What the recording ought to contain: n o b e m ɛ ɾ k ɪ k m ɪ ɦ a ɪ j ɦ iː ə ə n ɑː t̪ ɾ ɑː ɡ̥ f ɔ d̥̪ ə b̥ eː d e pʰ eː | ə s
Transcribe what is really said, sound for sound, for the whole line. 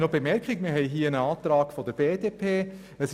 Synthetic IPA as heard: n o b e m ɛ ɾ k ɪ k m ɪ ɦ ɛ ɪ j ɦ iː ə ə n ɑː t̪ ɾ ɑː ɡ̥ f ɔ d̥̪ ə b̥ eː d e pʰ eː | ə s